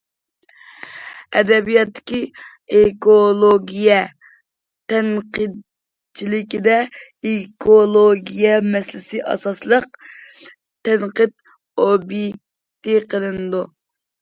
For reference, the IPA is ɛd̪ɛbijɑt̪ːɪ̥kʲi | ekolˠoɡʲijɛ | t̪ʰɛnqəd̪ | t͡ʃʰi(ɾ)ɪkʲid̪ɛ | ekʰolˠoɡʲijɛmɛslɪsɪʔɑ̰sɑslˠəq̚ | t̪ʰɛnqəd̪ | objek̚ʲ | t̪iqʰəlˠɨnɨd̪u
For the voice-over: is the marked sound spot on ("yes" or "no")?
no